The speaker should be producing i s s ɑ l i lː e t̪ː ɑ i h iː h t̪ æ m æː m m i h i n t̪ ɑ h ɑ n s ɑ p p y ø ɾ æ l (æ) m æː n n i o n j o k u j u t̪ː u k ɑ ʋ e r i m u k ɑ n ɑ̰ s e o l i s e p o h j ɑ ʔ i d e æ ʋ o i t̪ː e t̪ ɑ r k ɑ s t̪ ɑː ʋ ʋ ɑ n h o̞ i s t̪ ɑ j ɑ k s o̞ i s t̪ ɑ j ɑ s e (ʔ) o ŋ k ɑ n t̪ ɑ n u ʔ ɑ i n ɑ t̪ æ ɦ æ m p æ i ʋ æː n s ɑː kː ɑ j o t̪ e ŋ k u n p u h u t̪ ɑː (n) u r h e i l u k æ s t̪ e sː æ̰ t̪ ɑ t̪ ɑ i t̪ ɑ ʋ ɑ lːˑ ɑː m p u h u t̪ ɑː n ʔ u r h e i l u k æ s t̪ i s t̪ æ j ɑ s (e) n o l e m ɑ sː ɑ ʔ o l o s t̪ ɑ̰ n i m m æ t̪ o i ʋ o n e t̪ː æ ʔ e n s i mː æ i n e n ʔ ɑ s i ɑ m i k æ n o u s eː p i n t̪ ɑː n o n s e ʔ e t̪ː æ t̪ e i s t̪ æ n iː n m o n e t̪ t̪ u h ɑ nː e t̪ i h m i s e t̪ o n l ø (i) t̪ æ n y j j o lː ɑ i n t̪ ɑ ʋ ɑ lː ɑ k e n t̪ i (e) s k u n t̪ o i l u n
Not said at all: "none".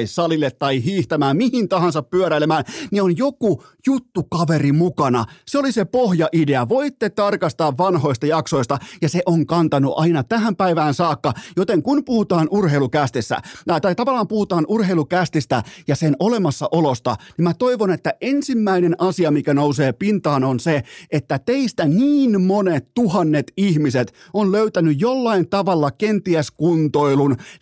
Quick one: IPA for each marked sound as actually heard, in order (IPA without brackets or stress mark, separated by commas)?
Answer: e, ʔ, n, e, y, æ